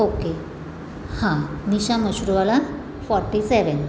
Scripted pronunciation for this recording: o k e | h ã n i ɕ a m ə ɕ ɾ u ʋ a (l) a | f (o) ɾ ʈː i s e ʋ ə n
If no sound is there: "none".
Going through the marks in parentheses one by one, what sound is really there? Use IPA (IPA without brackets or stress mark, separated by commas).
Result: l, ɔ